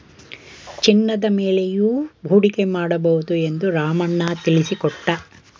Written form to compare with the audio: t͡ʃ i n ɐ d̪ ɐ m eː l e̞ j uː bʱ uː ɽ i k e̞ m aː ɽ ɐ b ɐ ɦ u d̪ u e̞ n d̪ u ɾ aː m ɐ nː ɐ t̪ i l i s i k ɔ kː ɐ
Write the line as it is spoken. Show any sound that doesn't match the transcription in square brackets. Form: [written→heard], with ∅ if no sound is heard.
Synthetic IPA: t͡ʃ i [n→nː] ɐ d̪ ɐ m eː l e̞ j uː bʱ uː ɽ i k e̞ m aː ɽ ɐ b ɐ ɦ u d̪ u e̞ n d̪ u ɾ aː m ɐ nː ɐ t̪ i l i s i k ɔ [kː→ʈː] ɐ